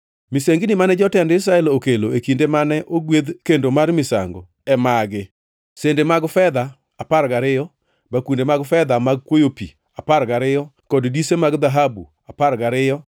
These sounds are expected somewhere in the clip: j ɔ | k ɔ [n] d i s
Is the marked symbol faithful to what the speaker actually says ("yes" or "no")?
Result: no